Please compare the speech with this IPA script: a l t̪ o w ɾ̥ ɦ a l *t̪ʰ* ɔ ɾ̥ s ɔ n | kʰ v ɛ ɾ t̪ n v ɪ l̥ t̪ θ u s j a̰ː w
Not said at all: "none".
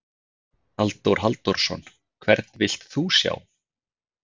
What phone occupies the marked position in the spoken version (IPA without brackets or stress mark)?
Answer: t̪